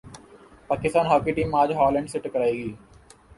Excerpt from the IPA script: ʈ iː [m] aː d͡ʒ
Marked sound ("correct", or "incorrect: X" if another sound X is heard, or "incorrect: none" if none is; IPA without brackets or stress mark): correct